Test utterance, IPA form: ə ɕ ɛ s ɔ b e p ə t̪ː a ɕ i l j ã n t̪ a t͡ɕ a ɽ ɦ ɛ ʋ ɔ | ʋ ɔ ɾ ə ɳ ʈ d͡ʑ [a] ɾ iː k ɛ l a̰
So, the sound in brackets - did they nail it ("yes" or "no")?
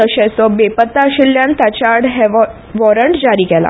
yes